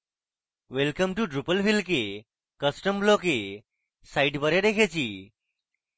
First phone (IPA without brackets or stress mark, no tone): ʋ